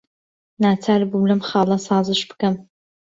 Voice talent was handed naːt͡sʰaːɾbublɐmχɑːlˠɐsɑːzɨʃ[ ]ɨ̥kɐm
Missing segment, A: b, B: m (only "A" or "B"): A